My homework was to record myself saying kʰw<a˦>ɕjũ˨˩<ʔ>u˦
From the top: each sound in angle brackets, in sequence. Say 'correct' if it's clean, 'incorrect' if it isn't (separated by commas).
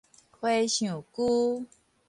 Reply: incorrect, incorrect